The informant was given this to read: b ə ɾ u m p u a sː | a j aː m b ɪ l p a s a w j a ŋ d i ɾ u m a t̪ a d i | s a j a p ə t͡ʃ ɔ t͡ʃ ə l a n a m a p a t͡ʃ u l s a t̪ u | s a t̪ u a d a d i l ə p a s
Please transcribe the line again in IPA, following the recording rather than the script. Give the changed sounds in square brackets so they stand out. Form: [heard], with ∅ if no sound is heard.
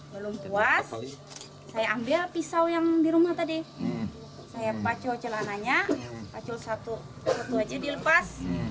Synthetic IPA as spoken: b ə [l] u m p u a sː | a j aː m b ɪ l p [i] s a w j a ŋ d i ɾ u m a t̪ a d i | s a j a p [a] t͡ʃ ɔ t͡ʃ ə l a n a [ɲ] a p a t͡ʃ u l s a t̪ u | s a t̪ u a [d͡ʒ] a d i l ə p a s